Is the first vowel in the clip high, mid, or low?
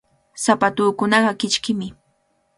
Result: low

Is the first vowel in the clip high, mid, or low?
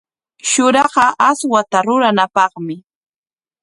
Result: high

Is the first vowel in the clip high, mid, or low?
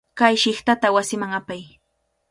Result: low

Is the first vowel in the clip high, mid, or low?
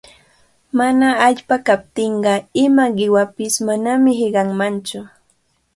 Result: low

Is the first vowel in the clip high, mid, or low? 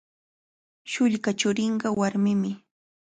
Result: high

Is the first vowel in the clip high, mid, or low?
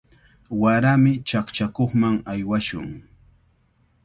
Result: low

